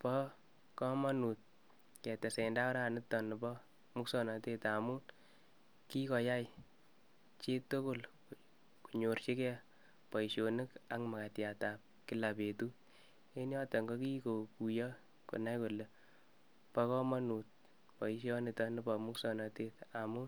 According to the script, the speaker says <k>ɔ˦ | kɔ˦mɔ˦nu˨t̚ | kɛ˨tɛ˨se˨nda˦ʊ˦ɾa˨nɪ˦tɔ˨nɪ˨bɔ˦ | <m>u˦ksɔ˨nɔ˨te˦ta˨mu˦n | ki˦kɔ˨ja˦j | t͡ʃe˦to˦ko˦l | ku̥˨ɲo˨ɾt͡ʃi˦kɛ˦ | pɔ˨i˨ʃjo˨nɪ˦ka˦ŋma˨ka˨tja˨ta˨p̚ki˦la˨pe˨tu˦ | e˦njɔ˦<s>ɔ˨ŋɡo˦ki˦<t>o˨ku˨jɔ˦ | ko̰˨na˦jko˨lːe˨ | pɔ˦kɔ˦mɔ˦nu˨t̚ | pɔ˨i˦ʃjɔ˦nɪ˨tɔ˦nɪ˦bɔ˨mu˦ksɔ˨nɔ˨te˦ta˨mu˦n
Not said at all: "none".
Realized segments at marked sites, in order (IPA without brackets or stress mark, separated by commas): p, m, t, k